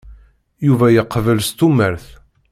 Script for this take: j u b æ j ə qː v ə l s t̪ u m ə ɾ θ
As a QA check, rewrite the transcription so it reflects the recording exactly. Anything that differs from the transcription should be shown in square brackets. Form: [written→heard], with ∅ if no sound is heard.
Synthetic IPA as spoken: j u [b→v] æ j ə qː v ə l s t̪ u m ə ɾ θ